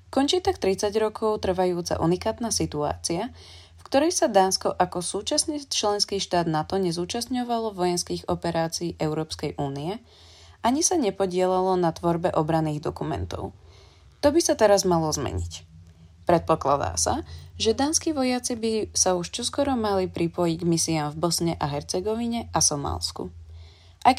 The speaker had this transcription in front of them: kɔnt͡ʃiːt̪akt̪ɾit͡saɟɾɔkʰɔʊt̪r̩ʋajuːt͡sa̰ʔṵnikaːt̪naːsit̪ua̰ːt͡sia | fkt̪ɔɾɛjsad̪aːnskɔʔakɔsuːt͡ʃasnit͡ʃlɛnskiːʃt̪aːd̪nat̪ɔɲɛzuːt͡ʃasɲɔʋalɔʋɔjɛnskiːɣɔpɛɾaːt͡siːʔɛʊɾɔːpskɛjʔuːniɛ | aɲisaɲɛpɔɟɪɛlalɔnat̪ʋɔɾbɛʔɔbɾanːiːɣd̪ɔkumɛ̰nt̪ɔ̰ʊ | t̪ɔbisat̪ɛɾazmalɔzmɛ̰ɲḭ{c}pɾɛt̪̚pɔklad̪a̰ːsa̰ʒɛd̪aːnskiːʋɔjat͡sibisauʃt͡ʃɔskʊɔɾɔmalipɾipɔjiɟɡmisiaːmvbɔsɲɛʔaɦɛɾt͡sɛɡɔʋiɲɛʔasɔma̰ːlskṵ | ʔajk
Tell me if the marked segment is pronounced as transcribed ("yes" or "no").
yes